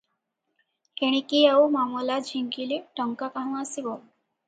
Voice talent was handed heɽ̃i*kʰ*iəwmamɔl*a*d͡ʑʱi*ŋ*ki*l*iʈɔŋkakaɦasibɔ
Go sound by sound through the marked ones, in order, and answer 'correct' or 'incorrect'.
incorrect, correct, correct, correct

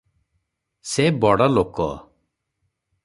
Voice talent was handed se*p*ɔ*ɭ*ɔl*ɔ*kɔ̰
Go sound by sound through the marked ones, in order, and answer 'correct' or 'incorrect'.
incorrect, incorrect, incorrect

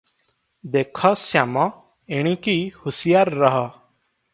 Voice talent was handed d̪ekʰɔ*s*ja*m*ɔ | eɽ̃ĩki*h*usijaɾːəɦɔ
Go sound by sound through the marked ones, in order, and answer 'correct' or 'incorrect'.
correct, correct, correct

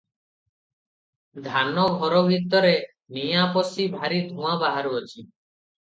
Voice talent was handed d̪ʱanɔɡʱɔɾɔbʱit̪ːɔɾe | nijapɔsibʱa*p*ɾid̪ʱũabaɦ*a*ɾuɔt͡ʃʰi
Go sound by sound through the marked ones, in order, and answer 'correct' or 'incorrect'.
incorrect, correct

